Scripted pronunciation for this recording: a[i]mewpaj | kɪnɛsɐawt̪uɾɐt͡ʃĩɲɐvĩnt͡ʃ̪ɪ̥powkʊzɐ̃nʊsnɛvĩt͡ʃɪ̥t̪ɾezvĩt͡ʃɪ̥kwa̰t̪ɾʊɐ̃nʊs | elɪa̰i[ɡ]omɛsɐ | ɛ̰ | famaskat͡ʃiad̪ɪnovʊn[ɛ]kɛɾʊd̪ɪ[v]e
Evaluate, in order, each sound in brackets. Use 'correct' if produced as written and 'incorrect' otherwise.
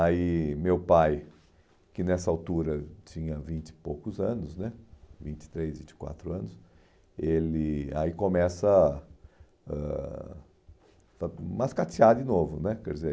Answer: correct, incorrect: k, correct, incorrect: z

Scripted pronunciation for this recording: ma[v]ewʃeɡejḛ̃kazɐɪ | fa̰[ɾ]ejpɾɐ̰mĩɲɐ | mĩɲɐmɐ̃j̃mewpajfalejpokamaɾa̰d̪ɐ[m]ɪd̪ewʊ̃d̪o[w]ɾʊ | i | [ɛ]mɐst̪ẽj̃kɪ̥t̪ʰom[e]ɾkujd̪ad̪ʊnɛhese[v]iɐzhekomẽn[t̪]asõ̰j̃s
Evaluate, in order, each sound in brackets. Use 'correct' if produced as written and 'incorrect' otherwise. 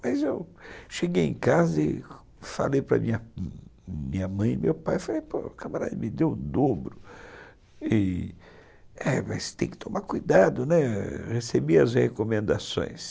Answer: incorrect: z, incorrect: l, correct, incorrect: b, correct, incorrect: a, incorrect: b, incorrect: d̪

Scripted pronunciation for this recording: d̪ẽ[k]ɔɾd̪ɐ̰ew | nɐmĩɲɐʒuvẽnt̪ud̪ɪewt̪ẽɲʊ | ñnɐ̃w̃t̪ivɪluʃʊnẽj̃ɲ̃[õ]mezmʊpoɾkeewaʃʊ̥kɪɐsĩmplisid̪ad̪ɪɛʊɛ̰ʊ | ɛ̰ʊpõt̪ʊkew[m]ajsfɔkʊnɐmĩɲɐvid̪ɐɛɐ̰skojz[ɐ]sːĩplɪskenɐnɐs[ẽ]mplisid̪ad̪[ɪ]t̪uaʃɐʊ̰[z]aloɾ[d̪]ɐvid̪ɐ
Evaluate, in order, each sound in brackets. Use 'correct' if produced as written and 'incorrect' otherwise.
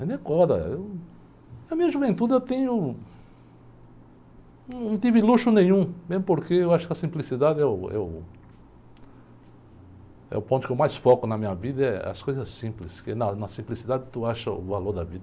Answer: correct, incorrect: ũ, correct, correct, incorrect: ĩ, correct, incorrect: v, correct

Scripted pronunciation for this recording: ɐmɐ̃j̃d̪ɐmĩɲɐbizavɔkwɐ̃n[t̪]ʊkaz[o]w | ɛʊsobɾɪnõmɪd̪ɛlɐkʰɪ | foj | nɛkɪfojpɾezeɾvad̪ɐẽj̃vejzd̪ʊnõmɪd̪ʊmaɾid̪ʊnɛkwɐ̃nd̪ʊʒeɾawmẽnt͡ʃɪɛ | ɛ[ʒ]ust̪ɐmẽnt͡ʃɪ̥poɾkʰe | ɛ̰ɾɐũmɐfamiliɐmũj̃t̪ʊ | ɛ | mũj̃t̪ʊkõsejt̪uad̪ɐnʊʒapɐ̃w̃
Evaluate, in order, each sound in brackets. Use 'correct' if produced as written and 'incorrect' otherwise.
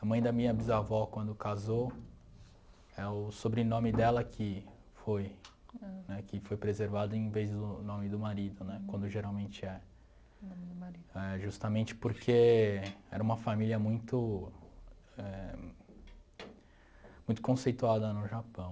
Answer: incorrect: d̪, correct, correct

